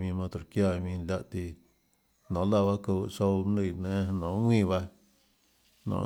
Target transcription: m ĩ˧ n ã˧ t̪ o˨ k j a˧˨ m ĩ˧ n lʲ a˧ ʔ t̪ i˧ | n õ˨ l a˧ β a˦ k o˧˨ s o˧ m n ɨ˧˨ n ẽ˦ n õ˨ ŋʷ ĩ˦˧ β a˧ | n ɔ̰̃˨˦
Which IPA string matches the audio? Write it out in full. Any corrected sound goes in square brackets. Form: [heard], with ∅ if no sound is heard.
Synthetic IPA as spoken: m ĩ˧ [m] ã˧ t̪ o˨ k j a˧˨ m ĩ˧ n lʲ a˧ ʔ t̪ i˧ | n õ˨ l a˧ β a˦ k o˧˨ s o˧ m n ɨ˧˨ n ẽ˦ n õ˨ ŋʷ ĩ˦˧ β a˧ | n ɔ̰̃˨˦